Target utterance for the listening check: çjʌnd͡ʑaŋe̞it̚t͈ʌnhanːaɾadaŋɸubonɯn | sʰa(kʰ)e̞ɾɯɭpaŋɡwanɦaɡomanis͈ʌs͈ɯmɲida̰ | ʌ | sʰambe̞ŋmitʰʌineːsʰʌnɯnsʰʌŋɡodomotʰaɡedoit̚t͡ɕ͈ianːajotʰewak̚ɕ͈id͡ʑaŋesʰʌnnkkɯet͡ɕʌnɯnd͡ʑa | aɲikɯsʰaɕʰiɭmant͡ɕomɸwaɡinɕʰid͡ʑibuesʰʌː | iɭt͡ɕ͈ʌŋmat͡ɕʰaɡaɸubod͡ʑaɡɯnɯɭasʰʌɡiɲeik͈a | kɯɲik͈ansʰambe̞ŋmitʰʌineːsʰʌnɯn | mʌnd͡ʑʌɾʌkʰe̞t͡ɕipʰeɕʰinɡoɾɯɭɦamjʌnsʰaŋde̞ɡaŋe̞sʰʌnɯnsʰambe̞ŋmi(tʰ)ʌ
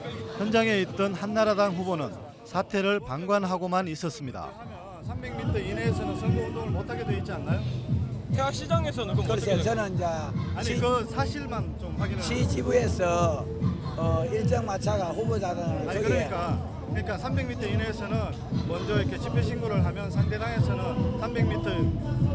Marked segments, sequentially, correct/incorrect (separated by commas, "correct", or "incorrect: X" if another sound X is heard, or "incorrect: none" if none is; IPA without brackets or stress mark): incorrect: tʰ, correct